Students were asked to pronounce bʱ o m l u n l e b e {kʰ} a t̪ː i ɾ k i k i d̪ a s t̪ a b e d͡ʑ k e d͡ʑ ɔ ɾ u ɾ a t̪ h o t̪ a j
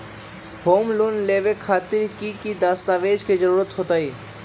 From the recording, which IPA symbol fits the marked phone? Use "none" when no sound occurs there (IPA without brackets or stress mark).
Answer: kʰ